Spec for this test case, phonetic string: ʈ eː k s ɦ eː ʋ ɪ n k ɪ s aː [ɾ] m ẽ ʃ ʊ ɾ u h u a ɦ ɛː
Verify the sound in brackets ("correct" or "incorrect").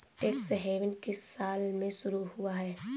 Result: incorrect